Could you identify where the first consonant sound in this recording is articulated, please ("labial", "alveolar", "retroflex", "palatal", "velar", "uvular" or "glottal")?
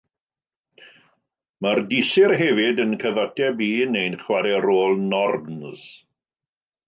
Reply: labial